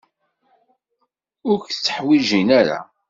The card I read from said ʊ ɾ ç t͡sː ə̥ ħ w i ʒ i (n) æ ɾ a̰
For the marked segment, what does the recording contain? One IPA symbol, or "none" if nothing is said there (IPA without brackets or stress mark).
n